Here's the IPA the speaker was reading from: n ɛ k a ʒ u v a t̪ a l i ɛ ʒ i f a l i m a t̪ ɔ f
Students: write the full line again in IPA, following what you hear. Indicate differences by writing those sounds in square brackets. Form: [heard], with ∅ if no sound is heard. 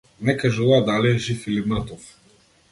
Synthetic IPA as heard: n ɛ k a ʒ u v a [d̪] a l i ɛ ʒ i f [i] l i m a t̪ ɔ f